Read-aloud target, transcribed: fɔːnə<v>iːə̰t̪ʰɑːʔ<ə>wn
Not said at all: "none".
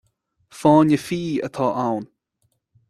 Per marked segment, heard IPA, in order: f, a

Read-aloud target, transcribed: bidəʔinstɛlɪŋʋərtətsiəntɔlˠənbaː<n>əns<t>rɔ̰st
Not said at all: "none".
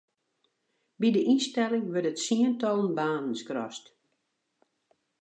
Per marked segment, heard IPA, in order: n, k

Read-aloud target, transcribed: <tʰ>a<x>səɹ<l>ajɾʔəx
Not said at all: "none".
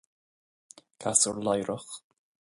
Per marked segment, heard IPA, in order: kʰ, none, l

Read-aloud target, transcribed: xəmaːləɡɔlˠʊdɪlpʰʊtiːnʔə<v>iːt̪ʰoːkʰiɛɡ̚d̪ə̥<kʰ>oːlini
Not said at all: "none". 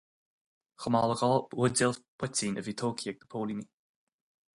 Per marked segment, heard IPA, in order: v, pʰ

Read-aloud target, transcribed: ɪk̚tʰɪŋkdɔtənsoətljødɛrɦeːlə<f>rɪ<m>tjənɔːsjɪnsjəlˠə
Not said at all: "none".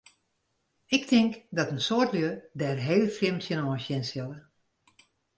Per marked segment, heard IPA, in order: f, m

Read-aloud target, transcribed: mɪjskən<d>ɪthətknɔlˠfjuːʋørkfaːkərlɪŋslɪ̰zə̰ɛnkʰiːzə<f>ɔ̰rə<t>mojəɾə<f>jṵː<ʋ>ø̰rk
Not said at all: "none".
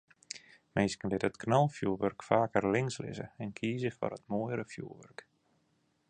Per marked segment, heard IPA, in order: d, f, t, f, ʋ

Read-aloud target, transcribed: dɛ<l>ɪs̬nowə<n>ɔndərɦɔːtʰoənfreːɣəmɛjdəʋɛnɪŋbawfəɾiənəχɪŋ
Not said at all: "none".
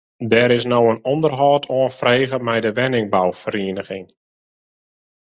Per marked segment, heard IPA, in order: ɾ, n

